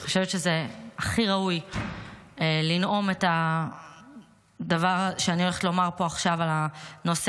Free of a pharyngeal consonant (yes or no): yes